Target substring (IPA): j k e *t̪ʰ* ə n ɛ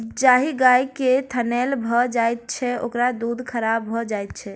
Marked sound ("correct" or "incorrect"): correct